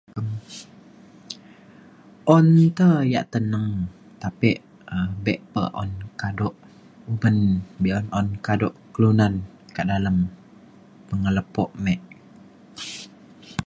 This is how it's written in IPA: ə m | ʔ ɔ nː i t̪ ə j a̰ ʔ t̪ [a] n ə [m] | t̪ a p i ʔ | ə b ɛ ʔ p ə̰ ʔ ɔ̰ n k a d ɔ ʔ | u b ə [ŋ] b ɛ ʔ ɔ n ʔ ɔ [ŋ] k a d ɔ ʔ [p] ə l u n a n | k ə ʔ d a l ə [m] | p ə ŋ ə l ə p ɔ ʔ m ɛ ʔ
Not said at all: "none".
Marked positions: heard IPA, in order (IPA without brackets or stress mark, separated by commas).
ə, ŋ, n, n, k, m